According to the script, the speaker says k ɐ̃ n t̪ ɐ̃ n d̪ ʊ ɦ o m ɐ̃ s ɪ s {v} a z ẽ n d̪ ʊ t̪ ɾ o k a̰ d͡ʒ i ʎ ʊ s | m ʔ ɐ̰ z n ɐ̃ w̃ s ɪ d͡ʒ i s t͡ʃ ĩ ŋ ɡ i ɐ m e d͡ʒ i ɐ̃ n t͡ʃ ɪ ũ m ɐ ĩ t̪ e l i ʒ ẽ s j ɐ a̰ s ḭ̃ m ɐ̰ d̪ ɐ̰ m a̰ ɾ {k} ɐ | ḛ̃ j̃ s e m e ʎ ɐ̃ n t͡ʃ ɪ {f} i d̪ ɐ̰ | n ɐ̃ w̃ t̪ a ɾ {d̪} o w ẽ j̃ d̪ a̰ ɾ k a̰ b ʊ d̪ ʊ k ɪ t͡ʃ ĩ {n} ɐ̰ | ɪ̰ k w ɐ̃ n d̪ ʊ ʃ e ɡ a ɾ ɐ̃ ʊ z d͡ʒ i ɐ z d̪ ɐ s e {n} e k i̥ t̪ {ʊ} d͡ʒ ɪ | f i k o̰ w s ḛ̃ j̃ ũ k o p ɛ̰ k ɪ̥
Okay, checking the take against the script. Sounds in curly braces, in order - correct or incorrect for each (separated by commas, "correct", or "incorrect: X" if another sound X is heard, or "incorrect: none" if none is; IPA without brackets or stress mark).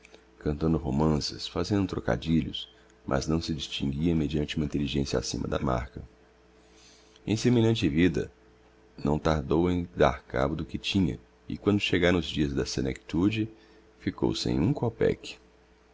incorrect: f, correct, incorrect: v, correct, incorrect: ɲ, correct, incorrect: u